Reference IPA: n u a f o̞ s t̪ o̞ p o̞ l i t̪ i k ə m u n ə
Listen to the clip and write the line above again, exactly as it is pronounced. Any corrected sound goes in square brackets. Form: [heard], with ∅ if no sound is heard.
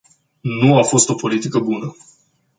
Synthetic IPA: n u a f o̞ s t̪ o̞ p o̞ l i t̪ i k ə [b] u n ə